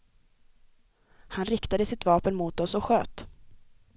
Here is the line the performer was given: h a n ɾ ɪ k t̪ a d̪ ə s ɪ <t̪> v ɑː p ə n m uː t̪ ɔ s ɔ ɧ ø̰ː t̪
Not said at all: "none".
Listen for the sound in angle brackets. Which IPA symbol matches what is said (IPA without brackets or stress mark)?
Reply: t̪